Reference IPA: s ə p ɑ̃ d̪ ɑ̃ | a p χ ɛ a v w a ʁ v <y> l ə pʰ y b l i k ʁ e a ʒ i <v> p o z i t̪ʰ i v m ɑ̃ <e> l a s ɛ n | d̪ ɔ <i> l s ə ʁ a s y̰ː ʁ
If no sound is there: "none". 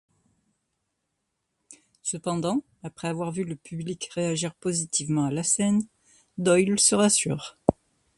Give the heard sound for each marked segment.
y, ʁ, a, j

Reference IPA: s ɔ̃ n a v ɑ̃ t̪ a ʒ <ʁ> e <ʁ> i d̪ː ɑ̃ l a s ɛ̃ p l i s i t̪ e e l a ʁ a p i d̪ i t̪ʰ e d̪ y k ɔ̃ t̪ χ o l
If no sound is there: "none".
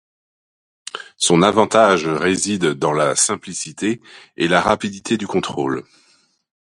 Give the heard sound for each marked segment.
ʁ, z

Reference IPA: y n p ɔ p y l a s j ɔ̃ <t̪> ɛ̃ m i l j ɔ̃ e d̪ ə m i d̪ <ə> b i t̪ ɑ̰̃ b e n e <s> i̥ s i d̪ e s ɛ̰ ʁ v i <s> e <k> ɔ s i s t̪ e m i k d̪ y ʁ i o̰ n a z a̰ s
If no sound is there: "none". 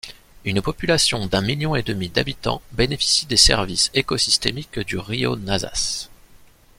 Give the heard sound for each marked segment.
d̪, a, f, s, k

